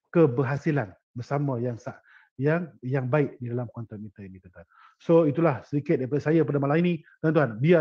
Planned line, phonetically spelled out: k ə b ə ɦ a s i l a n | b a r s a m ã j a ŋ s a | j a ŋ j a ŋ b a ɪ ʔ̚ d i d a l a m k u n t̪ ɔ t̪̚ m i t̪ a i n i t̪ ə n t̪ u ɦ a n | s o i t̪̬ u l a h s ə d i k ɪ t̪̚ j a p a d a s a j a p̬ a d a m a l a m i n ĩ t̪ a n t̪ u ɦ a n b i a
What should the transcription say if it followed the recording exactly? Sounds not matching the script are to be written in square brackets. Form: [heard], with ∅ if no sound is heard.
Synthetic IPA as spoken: k ə b ə ɦ a s i l a n | b [ə] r s a m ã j a ŋ s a | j a ŋ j a ŋ b a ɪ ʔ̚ d i d a l a m k [ɔ] n t̪ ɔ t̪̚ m i t̪ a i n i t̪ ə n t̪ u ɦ a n | s o i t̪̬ u l a h s ə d i k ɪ t̪̚ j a p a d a s a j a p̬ a d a m a l a m i n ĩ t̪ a n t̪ u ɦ a n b i a

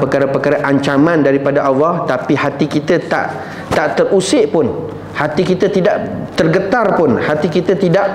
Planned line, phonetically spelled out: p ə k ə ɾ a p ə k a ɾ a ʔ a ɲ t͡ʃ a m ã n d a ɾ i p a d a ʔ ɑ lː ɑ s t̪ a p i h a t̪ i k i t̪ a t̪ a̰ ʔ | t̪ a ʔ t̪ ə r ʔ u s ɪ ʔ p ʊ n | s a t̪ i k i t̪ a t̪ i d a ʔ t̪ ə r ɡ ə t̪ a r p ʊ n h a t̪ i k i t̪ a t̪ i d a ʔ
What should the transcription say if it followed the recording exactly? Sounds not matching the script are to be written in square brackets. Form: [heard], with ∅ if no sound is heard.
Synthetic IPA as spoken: p ə k [a] ɾ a p ə k a ɾ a ʔ a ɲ t͡ʃ a m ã n d a ɾ i p a d a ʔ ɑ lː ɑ [h] t̪ a p i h a t̪ i k i t̪ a t̪ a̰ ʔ | t̪ a ʔ t̪ ə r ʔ u s ɪ ʔ p ʊ n | [h] a t̪ i k i t̪ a t̪ i d a ʔ t̪ ə r ɡ ə t̪ a r p ʊ n h a t̪ i k i t̪ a t̪ i d a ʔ

